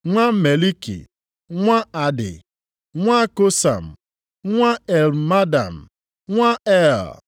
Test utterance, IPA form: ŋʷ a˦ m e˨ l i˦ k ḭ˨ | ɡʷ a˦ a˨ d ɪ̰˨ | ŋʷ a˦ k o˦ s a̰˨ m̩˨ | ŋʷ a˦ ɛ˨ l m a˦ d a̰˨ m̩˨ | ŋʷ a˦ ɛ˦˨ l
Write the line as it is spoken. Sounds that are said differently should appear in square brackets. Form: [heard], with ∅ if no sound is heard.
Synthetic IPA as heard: ŋʷ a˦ m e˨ l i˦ k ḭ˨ | [ŋʷ] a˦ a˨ d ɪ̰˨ | ŋʷ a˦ k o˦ s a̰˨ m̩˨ | ŋʷ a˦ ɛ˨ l m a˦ d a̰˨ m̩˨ | ŋʷ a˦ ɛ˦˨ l

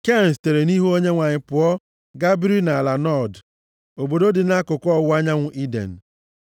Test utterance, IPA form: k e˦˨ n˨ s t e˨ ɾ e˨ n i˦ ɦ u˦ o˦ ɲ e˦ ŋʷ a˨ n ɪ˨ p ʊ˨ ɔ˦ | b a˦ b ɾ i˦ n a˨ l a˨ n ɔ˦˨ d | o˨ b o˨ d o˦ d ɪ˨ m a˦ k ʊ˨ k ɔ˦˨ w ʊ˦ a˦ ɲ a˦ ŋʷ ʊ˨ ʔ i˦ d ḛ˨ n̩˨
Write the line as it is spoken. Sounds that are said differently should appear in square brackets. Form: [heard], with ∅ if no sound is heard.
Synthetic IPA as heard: k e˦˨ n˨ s t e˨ ɾ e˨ n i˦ ɦ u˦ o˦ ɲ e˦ ŋʷ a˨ [ɲ] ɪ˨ p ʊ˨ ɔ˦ | [ɡ] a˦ b ɾ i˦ n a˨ l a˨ n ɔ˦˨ d | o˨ b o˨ d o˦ d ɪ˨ [n] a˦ k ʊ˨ k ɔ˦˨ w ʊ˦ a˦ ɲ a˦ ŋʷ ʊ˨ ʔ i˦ d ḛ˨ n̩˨

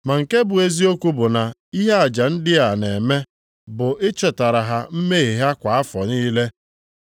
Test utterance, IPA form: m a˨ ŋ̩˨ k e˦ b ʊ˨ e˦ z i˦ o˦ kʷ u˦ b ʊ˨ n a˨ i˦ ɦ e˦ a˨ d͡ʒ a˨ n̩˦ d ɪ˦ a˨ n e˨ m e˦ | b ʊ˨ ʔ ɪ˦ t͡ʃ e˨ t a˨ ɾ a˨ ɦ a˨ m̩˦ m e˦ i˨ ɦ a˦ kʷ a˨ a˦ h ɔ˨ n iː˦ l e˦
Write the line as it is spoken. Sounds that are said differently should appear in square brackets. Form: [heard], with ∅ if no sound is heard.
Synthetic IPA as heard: m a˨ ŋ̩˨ k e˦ b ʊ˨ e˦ z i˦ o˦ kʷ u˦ b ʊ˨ n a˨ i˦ ɦ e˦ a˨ d͡ʒ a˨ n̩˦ d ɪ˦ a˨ n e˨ m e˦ | b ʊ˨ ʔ ɪ˦ t͡ʃ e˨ t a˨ ɾ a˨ ɦ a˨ m̩˦ m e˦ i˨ ɦ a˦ kʷ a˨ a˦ [f] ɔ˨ n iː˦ l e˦

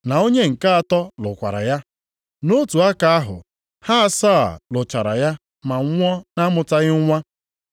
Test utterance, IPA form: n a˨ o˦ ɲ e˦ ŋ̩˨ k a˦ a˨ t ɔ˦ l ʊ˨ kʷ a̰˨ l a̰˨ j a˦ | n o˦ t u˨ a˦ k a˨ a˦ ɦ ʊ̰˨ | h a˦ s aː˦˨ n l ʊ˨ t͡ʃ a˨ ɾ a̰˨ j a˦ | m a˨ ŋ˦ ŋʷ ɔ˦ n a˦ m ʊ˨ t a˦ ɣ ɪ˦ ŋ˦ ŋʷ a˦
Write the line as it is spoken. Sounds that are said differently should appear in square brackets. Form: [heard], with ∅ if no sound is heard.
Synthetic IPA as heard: n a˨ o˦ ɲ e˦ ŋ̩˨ k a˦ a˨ t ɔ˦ l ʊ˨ kʷ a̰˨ [ɾ] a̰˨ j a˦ | n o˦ t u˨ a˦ k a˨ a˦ ɦ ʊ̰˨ | h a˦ s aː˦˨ [∅] l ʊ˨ t͡ʃ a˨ ɾ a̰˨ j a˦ | m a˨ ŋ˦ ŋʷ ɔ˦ n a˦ m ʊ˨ t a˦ ɣ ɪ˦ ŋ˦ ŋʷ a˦

